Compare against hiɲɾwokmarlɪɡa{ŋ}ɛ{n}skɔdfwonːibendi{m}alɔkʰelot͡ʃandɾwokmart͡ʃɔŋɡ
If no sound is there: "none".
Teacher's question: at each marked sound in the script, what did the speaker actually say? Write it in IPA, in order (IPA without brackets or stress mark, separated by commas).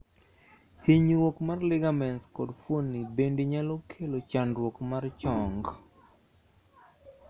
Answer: m, n, ɲ